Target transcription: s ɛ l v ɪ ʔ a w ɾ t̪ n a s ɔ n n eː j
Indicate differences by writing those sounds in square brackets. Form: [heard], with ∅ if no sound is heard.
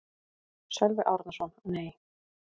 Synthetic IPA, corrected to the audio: s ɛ l v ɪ ʔ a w ɾ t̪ n a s ɔ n n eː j